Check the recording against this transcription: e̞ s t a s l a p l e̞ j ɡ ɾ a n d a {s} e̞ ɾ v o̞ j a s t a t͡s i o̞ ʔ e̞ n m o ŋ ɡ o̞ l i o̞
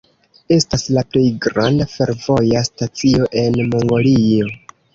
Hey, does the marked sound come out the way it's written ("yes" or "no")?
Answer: no